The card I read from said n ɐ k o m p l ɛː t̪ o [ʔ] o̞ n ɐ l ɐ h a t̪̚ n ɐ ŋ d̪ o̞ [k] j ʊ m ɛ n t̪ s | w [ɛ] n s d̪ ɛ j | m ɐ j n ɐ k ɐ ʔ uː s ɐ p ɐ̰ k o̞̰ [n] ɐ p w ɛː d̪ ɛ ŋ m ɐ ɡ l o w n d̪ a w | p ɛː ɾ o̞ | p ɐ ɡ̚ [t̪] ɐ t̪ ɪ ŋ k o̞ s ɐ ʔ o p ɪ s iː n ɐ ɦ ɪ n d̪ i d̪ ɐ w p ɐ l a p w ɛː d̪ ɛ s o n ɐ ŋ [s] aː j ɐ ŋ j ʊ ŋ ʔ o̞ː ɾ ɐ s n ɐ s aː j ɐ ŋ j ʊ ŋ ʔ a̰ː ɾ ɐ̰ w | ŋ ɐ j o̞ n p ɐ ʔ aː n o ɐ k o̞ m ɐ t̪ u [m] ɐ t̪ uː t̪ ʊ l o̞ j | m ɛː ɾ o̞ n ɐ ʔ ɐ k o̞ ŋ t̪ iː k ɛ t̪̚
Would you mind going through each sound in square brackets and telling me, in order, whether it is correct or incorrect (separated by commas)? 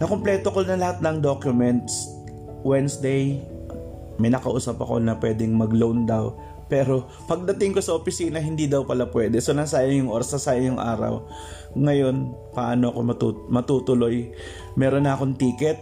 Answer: incorrect, correct, correct, correct, incorrect, correct, correct